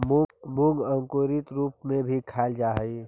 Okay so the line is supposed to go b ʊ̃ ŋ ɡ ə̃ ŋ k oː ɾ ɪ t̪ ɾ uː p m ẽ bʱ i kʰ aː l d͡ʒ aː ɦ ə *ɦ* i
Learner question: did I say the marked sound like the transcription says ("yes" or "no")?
no